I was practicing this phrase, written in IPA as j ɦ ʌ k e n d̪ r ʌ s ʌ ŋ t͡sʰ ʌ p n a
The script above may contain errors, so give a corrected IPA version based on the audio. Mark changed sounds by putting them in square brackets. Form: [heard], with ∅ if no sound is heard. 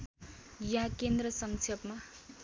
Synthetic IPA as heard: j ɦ [a] k e n d̪ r ʌ s ʌ ŋ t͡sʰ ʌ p [m] a